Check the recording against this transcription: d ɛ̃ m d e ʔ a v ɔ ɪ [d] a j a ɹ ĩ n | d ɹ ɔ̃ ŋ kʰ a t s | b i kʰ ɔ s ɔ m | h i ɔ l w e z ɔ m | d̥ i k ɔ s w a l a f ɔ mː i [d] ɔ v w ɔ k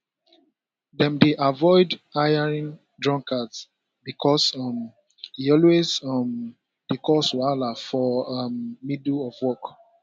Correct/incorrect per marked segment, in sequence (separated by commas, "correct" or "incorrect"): correct, correct